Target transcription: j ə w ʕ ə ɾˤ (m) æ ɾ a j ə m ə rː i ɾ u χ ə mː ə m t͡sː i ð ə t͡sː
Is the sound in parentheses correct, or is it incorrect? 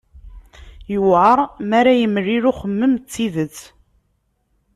correct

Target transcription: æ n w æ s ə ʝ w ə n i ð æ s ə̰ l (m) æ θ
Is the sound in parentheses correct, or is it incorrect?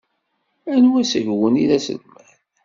correct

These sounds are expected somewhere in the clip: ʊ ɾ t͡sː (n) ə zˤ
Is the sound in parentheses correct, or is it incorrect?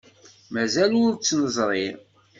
correct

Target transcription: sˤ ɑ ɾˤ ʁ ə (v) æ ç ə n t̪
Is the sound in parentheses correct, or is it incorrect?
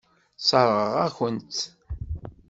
incorrect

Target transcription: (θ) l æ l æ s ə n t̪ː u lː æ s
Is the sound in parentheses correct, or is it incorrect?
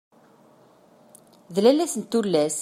incorrect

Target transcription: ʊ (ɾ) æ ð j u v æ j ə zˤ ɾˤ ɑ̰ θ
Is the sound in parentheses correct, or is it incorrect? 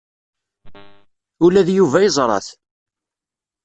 incorrect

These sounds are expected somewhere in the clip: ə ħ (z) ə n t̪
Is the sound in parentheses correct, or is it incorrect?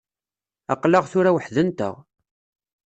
incorrect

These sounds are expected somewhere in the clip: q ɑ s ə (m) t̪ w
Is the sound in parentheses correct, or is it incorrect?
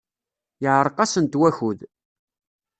incorrect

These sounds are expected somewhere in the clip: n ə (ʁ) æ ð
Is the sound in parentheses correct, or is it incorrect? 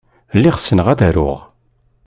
correct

